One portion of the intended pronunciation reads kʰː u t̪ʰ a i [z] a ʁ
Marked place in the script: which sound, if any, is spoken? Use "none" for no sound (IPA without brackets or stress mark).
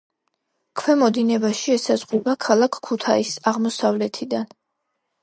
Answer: s